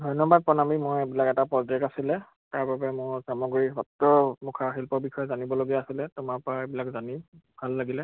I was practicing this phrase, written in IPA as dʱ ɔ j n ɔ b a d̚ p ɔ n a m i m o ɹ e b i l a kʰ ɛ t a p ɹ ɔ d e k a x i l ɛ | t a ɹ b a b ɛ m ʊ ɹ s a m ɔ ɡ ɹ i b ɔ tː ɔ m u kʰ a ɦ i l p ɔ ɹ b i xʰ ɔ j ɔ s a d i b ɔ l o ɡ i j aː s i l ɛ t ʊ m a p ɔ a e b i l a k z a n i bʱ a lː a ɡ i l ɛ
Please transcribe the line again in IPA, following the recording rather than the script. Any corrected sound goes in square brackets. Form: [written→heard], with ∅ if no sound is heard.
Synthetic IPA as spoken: dʱ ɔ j n ɔ b a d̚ p ɔ n a m i m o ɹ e b i l a [kʰ→k] ɛ t a p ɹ ɔ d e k a [x→s] i l ɛ | t a ɹ b a b ɛ m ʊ ɹ s a m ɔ ɡ ɹ i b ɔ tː ɔ m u kʰ a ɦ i l p ɔ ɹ b i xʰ ɔ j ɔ [s→z] a [d→n] i b ɔ l o ɡ i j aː s i l ɛ t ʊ m a p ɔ a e b i l a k z a n i bʱ a lː a ɡ i l ɛ